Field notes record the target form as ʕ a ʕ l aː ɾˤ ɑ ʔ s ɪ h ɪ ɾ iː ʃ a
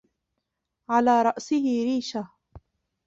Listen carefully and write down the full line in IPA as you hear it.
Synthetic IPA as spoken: ʕ a l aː ɾˤ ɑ ʔ s ɪ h ɪ ɾ iː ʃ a